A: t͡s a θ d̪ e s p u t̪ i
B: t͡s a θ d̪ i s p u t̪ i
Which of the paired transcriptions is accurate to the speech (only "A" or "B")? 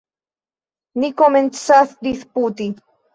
B